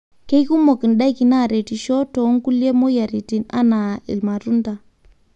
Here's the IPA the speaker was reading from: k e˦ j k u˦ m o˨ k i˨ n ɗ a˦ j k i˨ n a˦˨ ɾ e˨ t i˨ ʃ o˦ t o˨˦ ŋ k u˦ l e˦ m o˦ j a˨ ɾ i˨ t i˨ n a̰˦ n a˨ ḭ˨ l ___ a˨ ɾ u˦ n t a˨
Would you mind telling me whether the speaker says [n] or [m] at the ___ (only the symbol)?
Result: m